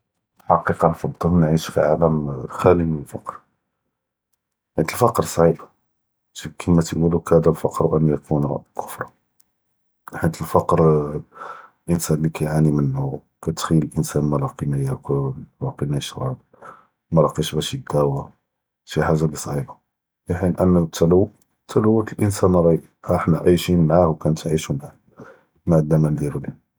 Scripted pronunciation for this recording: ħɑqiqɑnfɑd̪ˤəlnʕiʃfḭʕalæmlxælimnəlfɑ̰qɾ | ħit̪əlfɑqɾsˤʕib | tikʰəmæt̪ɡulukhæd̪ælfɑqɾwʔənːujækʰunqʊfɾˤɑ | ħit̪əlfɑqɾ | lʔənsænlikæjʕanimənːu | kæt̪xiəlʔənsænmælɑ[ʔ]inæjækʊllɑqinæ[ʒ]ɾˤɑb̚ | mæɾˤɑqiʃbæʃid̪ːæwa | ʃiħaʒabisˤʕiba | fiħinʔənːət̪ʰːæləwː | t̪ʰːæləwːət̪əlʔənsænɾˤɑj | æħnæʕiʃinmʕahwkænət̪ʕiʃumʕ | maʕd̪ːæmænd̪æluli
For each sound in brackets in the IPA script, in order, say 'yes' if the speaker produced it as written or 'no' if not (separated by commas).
no, no